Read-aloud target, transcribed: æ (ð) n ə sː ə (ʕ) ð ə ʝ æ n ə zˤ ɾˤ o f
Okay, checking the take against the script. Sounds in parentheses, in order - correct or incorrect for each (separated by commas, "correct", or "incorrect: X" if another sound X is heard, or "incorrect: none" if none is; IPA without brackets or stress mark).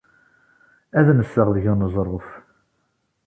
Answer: correct, incorrect: ʁ